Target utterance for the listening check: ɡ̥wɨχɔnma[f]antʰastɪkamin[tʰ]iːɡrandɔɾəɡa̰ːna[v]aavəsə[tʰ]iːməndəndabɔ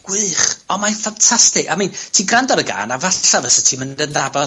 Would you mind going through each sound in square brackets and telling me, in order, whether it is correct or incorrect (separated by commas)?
correct, correct, correct, correct